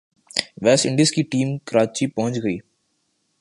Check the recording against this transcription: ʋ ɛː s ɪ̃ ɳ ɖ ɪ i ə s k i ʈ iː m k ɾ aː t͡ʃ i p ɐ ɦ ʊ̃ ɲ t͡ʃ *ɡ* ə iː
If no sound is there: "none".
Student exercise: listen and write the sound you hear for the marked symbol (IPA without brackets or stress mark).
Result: ɡ